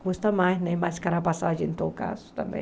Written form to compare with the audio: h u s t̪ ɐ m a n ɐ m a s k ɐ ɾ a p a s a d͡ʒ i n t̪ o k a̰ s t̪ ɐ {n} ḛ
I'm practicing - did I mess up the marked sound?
yes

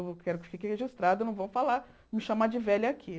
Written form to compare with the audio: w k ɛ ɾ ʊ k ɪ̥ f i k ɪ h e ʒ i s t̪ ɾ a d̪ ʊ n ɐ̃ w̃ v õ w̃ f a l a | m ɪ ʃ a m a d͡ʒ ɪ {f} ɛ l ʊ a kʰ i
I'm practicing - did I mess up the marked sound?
yes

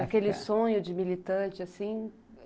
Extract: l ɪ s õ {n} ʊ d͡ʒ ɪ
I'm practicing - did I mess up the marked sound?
yes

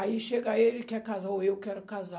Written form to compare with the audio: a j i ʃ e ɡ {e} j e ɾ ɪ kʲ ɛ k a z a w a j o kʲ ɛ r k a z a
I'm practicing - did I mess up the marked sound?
yes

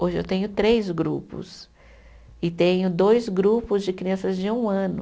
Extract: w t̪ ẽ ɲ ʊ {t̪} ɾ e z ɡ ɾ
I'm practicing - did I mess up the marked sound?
no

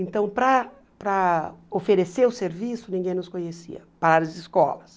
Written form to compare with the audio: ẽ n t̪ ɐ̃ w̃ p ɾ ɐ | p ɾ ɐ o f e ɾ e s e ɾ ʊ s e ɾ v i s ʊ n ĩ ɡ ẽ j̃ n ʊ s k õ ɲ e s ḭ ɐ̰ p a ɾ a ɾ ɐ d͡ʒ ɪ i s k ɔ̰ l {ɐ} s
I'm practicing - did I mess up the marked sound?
no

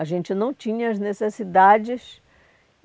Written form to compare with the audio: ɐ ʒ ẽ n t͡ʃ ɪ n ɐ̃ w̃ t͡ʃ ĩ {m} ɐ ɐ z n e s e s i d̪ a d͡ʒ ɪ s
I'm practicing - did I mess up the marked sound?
yes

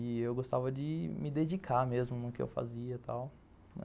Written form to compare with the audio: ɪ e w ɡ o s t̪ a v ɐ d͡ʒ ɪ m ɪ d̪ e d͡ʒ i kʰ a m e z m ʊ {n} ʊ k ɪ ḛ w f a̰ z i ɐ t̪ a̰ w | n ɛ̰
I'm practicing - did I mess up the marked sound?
no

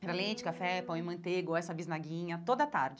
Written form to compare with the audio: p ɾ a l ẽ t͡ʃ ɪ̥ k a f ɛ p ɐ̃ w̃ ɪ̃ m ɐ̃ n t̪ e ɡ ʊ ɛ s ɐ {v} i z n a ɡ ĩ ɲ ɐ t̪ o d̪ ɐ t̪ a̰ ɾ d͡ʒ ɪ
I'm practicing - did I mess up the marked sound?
yes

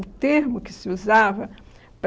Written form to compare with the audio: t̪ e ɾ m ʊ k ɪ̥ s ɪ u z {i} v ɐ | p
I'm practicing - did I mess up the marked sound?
yes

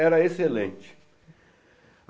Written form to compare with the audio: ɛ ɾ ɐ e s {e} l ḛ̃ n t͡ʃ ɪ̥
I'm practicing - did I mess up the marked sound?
no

